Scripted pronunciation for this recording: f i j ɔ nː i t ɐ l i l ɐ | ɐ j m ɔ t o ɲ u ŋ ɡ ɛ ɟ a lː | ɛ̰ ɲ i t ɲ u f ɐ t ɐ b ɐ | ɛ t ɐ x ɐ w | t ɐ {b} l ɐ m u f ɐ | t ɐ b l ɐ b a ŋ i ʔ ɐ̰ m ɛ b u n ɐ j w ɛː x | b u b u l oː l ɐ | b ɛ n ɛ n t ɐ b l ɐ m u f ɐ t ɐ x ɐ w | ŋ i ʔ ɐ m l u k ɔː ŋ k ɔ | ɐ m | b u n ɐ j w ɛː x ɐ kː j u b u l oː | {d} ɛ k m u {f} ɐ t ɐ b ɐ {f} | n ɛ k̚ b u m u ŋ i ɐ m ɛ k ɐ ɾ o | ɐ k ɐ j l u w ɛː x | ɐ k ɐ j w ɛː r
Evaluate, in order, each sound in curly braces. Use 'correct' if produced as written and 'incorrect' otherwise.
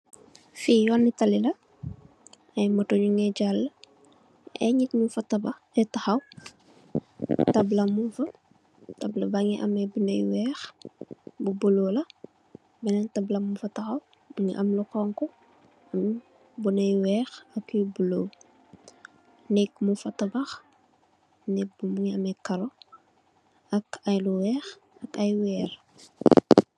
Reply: correct, incorrect: n, correct, incorrect: x

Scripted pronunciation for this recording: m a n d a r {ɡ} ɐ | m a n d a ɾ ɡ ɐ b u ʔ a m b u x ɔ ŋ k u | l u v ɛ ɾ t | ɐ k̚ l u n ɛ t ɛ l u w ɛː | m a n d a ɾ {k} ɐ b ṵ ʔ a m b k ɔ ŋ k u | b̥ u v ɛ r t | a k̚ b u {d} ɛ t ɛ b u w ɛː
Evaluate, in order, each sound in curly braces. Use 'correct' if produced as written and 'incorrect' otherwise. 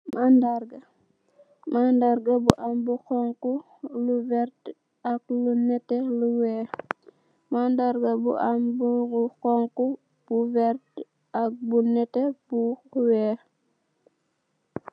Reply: correct, incorrect: ɡ, incorrect: n

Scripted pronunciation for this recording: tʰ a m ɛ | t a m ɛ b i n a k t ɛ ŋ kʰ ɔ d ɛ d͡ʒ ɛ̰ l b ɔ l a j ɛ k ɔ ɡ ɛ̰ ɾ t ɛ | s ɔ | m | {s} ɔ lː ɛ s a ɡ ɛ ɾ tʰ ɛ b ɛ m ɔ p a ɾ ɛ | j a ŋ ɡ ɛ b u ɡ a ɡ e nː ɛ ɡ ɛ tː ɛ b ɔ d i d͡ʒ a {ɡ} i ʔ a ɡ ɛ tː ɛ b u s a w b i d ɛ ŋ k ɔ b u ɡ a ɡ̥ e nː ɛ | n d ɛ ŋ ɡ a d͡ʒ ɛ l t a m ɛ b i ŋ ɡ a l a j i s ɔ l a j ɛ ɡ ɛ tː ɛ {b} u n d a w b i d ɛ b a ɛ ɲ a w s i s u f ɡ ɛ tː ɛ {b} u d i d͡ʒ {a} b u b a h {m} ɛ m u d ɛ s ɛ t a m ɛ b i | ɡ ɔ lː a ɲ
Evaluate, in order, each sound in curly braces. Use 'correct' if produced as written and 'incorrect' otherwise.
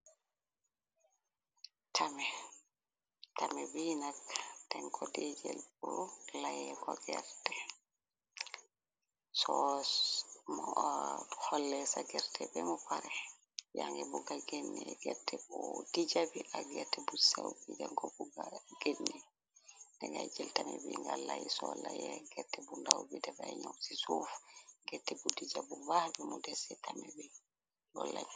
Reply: incorrect: h, incorrect: b, correct, correct, correct, incorrect: b

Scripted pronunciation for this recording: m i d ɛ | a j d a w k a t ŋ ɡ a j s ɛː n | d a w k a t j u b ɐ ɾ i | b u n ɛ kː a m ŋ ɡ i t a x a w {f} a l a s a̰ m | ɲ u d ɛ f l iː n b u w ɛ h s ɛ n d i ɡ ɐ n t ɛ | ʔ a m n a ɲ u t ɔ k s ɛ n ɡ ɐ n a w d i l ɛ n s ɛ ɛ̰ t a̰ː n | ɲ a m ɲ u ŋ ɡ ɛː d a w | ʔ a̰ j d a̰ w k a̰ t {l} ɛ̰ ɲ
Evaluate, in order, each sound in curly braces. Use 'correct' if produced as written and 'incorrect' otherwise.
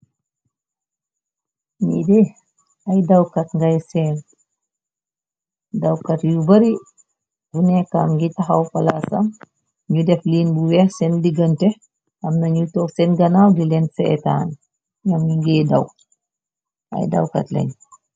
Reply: correct, correct

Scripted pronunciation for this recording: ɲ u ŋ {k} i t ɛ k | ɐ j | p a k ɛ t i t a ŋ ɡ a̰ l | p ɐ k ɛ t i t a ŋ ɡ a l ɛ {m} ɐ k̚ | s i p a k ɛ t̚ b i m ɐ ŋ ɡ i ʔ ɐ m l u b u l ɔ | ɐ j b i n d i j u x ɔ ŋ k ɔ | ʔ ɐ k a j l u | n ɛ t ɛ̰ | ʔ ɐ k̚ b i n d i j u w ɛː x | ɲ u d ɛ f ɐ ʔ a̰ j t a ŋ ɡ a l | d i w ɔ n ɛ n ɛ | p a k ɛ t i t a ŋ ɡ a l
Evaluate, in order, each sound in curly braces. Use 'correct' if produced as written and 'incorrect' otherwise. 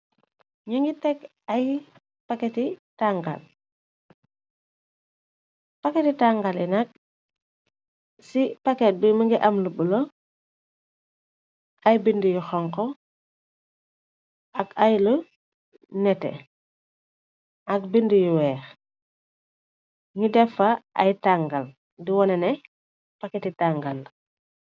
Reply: incorrect: ɡ, incorrect: n

